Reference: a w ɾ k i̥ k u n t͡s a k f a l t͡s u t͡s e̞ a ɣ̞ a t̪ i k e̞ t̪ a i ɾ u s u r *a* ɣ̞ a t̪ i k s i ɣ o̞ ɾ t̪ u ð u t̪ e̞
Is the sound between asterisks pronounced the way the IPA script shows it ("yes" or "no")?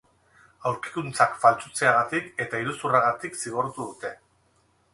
yes